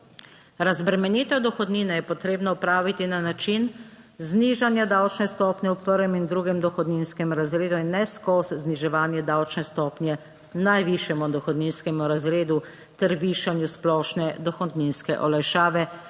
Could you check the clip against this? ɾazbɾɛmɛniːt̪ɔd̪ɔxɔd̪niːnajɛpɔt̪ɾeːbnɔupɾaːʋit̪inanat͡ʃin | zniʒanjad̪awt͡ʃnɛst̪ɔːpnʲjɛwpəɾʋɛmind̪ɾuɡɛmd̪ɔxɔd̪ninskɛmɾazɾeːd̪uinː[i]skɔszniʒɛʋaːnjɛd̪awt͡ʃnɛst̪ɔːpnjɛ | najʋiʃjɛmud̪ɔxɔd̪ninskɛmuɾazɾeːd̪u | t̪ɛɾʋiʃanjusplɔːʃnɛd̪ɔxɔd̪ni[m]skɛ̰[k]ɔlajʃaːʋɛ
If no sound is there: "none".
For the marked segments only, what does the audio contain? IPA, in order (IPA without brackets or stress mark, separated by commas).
ɛ, n, ʔ